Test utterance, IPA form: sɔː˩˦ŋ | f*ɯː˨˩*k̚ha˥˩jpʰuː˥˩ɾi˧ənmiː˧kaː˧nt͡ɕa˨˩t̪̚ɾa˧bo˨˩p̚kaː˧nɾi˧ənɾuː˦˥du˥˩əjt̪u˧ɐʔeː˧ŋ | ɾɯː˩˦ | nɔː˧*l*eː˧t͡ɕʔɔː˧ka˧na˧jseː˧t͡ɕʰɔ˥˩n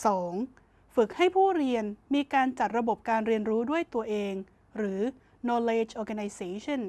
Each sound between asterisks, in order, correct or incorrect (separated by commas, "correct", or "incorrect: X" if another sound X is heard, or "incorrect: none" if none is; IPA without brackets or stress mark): incorrect: ɯ˨˩, correct